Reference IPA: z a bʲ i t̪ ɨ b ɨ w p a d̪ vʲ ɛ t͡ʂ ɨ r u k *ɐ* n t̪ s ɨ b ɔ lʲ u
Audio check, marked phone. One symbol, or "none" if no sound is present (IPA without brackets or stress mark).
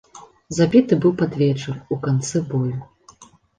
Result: a